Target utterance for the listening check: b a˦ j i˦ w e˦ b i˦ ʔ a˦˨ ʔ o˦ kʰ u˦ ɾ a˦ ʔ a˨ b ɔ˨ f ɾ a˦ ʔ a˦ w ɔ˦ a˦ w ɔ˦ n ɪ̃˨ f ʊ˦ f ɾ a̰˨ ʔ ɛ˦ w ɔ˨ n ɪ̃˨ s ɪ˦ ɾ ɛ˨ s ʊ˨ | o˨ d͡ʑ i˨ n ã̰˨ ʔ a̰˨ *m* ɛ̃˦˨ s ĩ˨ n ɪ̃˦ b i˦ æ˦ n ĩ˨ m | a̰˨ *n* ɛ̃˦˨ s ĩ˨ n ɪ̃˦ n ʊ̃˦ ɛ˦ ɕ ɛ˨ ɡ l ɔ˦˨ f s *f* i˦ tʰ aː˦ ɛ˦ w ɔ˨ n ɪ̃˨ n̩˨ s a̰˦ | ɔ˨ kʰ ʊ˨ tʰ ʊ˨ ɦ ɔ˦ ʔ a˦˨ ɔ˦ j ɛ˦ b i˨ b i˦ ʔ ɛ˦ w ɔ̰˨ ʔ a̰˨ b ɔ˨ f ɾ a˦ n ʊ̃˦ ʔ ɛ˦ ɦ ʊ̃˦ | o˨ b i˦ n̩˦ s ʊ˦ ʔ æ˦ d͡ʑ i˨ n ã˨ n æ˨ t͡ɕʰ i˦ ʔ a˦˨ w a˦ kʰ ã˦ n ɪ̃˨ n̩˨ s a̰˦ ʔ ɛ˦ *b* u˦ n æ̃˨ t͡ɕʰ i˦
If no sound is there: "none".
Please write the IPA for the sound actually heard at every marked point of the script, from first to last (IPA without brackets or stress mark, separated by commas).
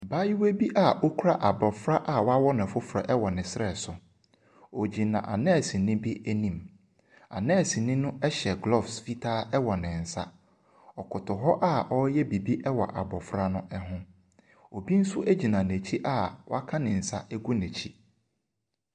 n, n, f, ɡ